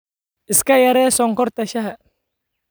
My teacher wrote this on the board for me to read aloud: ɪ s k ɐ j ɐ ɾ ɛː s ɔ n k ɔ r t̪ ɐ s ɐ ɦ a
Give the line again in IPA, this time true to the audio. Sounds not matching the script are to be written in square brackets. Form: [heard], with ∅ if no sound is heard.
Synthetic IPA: ɪ s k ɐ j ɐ ɾ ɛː s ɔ [ŋ] k ɔ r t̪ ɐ [ʃ] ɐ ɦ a